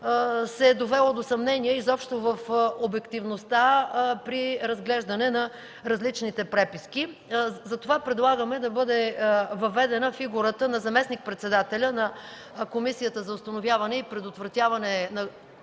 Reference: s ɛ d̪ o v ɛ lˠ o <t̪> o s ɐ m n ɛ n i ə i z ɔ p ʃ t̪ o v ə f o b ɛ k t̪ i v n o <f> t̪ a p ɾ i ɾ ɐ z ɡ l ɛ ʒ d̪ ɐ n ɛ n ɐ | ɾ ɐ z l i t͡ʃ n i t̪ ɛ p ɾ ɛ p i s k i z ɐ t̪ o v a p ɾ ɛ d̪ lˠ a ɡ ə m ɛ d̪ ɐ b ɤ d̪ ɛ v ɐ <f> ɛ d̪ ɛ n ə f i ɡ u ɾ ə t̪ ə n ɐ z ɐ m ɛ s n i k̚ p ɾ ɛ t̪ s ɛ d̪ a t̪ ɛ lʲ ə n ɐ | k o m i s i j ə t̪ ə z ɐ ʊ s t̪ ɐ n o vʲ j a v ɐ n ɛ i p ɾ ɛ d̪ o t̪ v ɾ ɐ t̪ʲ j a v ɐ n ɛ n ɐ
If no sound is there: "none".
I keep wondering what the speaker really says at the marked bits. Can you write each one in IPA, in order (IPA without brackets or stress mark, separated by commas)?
d̪, s, v